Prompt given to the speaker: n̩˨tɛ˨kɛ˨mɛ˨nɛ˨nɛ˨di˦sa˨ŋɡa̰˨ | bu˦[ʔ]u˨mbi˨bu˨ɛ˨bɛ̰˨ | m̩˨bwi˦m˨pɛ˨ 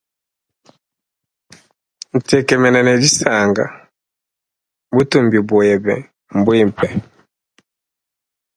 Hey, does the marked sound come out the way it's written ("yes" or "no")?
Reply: no